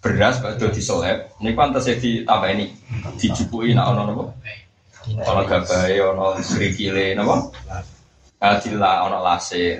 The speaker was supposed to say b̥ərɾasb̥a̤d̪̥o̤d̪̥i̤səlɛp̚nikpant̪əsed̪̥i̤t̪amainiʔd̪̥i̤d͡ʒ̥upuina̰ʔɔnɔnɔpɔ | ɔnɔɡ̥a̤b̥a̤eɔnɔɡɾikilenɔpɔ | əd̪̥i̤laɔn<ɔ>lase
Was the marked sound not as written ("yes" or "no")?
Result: no